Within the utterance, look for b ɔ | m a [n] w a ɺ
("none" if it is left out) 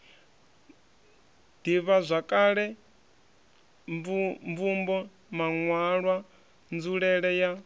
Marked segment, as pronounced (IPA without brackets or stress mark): ŋ